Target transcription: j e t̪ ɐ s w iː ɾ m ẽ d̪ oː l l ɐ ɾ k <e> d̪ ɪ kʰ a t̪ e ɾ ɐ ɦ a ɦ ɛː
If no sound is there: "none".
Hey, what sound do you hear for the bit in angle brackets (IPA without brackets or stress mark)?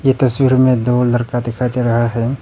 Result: a